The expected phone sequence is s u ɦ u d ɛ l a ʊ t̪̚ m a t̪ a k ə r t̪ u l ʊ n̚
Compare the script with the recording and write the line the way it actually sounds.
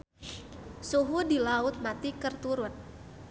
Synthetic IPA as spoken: s u ɦ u d i l a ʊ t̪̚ m a t̪ i k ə r t̪ u ɾ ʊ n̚